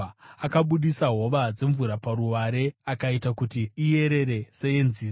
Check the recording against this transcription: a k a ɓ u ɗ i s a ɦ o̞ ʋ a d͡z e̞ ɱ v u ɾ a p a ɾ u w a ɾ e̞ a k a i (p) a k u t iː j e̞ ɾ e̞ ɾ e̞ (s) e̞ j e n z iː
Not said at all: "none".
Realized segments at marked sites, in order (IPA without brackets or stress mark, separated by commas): t, s